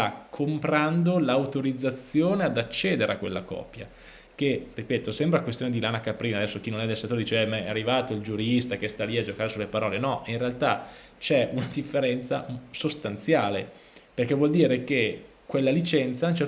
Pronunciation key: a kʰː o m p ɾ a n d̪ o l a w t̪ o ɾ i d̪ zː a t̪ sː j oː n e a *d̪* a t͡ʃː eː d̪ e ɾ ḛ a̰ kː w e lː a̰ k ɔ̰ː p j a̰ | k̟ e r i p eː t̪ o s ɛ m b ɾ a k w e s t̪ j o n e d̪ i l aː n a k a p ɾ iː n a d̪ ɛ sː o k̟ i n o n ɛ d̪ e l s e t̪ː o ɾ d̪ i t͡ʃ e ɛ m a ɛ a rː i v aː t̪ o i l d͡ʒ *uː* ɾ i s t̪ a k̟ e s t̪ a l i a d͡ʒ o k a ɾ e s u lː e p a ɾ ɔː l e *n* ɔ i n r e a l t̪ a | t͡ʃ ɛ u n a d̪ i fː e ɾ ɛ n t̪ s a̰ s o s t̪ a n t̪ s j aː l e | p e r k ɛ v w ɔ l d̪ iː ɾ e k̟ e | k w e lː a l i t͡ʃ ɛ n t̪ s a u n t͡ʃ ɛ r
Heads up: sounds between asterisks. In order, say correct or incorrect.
correct, incorrect, correct

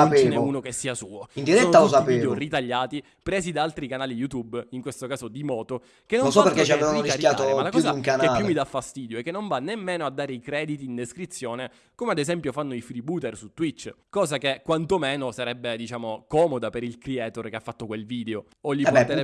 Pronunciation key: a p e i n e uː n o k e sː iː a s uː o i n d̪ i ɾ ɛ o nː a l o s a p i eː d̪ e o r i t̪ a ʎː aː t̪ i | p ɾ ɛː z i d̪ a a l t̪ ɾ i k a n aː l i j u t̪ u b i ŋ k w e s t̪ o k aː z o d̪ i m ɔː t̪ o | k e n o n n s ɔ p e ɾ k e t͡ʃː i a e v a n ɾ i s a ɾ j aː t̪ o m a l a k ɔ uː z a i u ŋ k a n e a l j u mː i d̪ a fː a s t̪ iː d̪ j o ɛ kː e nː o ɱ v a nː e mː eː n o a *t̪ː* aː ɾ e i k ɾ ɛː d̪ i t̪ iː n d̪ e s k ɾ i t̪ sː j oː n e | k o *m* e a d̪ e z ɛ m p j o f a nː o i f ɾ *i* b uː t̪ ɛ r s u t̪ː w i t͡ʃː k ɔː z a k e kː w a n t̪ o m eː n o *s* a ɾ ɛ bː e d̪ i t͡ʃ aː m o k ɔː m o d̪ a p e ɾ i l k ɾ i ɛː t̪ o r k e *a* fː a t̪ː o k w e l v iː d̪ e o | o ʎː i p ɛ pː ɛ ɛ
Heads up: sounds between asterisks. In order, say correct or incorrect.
incorrect, correct, correct, correct, correct

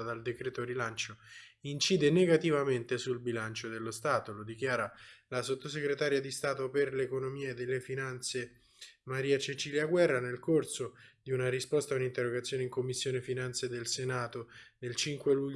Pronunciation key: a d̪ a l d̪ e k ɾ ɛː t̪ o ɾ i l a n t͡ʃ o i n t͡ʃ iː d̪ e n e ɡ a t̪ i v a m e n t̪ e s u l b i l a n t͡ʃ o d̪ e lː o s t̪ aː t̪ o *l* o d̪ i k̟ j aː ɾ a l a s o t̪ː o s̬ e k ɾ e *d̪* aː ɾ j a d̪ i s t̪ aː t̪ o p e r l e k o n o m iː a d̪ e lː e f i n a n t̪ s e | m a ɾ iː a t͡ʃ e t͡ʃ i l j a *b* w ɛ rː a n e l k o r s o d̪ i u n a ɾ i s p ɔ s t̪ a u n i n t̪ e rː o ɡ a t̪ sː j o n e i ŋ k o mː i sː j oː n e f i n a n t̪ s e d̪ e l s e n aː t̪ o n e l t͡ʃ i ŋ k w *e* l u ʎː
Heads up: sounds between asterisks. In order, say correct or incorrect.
correct, incorrect, incorrect, correct

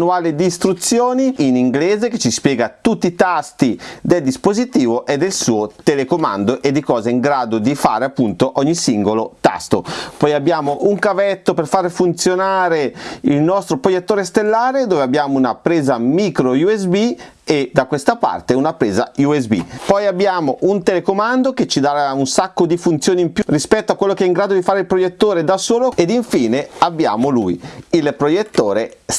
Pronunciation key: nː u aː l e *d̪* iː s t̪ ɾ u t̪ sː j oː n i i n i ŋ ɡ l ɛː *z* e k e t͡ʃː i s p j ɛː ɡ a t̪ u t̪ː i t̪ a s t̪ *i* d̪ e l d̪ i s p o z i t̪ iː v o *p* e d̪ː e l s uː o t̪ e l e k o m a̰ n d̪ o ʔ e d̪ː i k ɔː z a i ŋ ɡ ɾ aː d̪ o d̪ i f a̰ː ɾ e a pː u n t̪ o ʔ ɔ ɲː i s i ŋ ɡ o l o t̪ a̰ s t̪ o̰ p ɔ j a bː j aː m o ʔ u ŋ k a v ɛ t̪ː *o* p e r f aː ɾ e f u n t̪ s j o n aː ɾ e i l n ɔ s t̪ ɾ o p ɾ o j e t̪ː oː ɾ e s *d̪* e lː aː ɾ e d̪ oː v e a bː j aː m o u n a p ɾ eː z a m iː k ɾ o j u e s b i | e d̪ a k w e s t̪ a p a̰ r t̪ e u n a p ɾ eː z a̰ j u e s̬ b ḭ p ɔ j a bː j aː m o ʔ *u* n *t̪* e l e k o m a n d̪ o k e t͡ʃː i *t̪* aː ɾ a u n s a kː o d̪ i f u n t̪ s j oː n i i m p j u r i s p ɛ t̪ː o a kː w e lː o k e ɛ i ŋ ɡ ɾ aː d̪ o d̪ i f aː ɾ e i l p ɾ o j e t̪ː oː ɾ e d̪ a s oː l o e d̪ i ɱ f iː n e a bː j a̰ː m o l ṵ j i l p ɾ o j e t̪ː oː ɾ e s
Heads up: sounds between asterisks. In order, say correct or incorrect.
correct, correct, correct, incorrect, correct, incorrect, correct, correct, incorrect

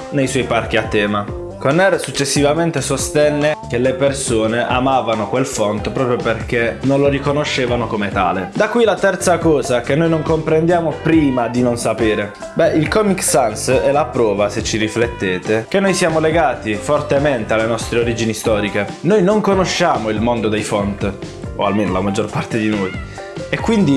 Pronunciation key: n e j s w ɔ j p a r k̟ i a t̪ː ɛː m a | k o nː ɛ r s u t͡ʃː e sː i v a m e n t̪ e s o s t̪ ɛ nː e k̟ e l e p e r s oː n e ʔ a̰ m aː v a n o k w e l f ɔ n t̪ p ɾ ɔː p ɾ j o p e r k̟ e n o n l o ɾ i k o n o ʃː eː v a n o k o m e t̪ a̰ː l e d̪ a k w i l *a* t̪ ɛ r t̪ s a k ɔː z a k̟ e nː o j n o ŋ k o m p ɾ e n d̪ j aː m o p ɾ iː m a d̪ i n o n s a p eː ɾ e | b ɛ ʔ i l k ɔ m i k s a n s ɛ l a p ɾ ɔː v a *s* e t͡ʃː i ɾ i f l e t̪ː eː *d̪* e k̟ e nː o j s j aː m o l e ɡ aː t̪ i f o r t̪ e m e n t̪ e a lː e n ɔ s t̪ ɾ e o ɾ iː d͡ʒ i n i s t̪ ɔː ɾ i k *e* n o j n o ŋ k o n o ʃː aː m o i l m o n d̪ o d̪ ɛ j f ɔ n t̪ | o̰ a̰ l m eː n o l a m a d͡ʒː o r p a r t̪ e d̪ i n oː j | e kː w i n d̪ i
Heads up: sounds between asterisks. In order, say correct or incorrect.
correct, correct, incorrect, correct

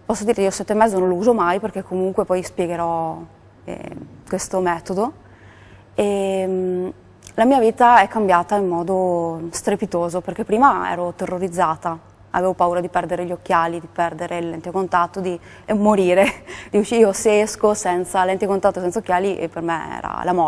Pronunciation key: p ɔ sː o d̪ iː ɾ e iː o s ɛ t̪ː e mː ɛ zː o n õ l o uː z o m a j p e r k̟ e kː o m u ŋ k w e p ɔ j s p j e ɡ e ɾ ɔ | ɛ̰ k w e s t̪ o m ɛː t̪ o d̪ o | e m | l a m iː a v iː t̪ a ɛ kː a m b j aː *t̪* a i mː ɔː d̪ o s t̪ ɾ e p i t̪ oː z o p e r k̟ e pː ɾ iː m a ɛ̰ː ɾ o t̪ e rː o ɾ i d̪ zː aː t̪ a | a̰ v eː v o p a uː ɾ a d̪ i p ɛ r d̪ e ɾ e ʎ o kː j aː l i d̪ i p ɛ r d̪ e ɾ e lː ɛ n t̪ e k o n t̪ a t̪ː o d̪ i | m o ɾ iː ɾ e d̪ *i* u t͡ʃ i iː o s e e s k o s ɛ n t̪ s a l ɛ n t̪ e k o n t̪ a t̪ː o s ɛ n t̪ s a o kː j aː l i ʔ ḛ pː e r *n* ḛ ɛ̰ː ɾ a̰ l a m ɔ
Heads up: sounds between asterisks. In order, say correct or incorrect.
correct, correct, incorrect

